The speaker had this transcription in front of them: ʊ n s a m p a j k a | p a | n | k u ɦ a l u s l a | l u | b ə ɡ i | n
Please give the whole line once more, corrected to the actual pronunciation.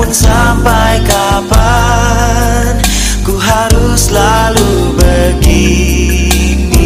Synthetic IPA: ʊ n s a m p a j k a | p a | n | k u ɦ a ɾ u s l a | l u | b ə ɡ i | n